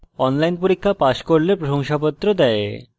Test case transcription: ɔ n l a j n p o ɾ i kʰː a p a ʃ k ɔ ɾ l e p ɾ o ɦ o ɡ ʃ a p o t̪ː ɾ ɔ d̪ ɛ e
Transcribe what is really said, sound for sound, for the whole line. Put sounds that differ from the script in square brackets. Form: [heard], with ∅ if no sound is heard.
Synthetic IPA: ɔ n l a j n p o ɾ i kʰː a p a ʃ k [o] ɾ l e p ɾ o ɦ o [ŋ] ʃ a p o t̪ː ɾ [o] d̪ ɛ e